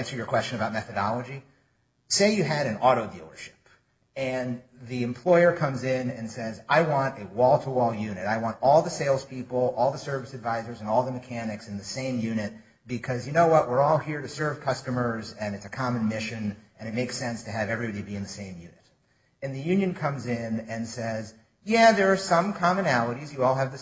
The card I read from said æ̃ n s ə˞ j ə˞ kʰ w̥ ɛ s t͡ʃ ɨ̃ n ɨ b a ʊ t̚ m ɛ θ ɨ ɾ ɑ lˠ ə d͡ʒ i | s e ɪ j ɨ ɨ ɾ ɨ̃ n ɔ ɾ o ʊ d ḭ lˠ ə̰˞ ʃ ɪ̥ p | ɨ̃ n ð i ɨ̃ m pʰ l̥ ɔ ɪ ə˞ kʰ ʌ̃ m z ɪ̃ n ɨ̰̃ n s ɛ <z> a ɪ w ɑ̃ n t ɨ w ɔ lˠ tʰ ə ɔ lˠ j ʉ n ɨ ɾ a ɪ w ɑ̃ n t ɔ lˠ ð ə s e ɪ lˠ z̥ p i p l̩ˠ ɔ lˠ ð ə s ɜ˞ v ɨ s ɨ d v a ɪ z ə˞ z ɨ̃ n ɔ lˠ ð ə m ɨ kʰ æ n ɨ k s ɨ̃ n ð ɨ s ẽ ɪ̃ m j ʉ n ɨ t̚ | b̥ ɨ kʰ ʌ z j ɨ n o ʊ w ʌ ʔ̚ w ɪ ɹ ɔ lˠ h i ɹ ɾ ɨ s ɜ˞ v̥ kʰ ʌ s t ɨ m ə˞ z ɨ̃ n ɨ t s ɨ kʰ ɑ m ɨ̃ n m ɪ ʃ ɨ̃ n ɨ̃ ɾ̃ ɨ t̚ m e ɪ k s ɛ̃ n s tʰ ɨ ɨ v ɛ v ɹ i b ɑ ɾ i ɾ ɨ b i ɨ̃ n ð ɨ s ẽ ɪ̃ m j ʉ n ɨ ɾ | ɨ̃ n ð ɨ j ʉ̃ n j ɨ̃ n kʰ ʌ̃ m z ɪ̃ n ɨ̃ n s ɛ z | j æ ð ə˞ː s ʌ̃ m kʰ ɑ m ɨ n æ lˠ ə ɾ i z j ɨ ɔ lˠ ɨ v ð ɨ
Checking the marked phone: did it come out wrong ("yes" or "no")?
no